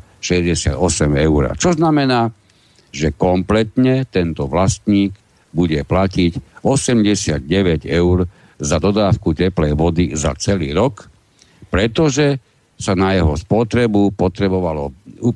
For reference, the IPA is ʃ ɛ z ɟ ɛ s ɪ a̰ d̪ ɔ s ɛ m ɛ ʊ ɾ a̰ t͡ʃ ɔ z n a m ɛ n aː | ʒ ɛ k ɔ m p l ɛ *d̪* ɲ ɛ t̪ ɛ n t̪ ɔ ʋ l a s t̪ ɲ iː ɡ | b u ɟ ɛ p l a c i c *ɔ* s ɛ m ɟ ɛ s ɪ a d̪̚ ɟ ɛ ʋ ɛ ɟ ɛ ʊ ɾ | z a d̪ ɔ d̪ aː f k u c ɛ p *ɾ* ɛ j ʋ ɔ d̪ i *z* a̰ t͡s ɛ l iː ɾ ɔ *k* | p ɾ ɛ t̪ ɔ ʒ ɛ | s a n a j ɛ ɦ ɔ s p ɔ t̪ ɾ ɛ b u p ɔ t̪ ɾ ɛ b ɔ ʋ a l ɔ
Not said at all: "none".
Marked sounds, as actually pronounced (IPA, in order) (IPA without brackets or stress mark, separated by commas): t̪, ɔ, l, z, k